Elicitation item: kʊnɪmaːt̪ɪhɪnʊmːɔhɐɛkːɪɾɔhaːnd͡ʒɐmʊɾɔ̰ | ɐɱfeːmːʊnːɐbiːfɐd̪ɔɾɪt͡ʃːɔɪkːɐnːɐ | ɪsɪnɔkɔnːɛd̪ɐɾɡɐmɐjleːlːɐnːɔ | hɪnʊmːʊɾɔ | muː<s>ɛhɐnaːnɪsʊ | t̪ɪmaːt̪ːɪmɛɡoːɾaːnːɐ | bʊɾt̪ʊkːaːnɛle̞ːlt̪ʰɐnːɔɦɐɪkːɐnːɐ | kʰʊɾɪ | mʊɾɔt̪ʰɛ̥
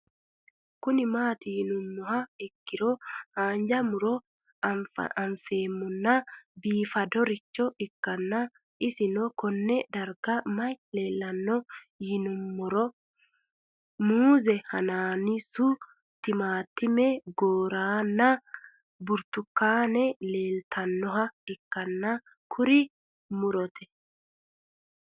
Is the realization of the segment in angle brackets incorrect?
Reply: yes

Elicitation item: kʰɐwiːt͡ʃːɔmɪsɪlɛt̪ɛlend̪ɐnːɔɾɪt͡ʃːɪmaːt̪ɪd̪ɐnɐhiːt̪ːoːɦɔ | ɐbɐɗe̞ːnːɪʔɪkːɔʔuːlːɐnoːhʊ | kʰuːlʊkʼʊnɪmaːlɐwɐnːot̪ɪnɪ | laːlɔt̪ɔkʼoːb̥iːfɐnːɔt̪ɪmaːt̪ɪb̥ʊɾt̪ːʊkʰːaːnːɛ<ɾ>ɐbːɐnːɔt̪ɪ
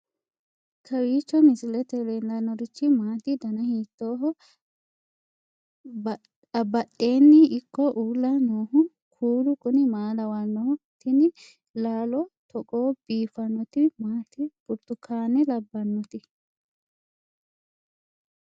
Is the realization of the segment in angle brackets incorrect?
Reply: yes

